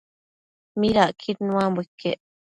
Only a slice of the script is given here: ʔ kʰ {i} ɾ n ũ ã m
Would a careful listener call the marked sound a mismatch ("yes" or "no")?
no